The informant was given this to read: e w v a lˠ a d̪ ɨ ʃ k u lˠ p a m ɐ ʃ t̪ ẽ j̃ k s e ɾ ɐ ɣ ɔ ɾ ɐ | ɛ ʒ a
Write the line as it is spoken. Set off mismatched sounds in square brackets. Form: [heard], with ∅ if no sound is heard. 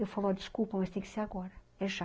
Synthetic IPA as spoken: e w [f] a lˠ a d̪ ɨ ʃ k u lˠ p [ɐ] m ɐ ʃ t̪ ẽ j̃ k s e ɾ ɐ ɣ ɔ ɾ ɐ | ɛ ʒ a